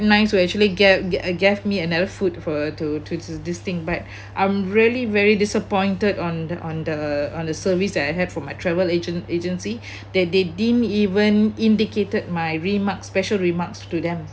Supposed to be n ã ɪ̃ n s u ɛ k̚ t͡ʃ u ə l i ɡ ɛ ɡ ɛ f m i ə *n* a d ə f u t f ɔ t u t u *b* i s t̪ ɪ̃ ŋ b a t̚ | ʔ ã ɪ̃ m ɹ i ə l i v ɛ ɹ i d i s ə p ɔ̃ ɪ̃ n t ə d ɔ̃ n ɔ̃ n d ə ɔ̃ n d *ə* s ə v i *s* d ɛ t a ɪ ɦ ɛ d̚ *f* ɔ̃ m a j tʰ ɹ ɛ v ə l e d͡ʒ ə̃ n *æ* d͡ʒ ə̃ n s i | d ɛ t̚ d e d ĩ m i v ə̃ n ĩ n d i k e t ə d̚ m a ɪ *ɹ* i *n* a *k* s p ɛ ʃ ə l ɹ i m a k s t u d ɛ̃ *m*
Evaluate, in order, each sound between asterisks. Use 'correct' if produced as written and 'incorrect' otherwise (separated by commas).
correct, incorrect, correct, correct, correct, incorrect, correct, incorrect, correct, correct